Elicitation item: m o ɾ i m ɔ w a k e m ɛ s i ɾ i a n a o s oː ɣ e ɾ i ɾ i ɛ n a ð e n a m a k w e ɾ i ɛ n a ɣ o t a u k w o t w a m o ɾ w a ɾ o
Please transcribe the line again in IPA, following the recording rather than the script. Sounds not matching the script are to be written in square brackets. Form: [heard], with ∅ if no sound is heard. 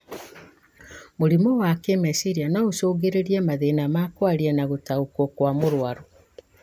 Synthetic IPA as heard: m o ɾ i m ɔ w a k e m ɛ s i ɾ i a n a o s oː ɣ e ɾ [e] ɾ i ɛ [m] a ð e n a m a k w [a] ɾ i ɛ n a ɣ o t a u k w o [k] w a m o ɾ w a ɾ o